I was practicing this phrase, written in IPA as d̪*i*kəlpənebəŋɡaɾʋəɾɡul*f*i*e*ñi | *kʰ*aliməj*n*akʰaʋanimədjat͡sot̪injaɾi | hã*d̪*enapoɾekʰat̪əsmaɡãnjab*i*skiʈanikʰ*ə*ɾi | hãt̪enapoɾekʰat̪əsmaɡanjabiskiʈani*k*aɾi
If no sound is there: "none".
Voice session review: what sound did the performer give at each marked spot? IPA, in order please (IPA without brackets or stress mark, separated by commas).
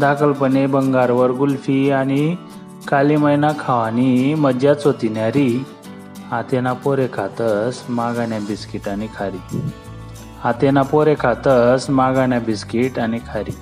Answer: a, f, a, k, n, t̪, i, a, kʰ